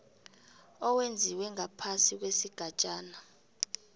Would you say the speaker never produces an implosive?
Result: yes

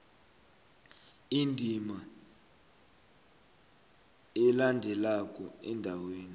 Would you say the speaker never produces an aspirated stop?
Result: yes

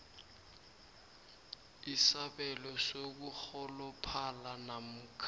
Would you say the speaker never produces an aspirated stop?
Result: no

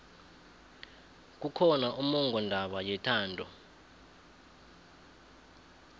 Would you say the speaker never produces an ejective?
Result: yes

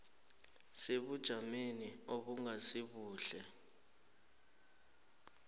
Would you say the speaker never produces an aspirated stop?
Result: yes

